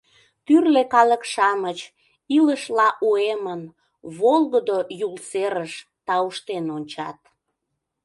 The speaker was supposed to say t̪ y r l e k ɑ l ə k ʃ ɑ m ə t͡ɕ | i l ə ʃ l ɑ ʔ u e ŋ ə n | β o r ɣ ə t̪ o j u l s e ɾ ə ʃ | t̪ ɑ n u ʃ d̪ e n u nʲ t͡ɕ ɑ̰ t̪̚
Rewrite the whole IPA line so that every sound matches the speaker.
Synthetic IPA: t̪ y r l e k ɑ l ə k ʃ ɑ m ə t͡ɕ | i l ə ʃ l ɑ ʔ u e m ə n | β o l ɣ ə d̪ o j u l s e ɾ ə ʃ | t̪ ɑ u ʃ t̪ e n o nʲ t͡ɕ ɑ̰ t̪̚